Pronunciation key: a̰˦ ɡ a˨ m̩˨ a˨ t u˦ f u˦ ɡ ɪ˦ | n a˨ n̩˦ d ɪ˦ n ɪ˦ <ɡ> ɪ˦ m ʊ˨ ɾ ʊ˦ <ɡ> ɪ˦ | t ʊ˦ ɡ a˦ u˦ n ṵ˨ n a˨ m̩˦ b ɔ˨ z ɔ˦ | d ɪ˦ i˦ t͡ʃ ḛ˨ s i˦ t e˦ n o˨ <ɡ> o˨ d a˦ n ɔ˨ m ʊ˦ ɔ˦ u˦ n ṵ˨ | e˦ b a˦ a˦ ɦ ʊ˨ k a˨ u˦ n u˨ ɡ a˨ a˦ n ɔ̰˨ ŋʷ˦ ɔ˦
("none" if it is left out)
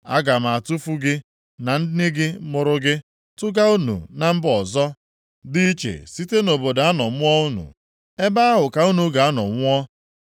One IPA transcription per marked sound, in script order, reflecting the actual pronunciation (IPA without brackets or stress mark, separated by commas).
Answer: ɡ, ɡ, b